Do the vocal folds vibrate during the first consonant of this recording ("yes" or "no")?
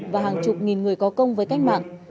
yes